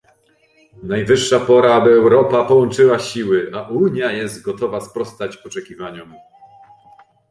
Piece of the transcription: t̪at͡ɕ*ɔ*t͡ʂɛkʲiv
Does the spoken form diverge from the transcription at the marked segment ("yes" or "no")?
no